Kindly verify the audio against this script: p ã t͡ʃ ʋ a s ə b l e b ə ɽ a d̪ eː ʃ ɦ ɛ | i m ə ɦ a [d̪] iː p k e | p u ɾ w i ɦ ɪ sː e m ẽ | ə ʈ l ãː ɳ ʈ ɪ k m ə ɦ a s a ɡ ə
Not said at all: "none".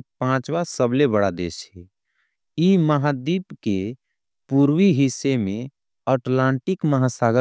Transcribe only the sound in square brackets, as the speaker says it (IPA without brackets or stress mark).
d̪